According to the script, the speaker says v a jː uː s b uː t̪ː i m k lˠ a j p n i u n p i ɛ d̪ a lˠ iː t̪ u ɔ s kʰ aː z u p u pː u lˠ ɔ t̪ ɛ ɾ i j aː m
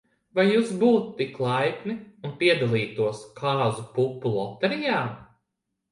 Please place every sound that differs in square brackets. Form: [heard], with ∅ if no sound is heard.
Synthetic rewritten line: v a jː uː s b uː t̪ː i [∅] k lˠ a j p n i u n p i ɛ d̪ a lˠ iː t̪ u ɔ s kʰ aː z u p u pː u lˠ ɔ t̪ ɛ ɾ i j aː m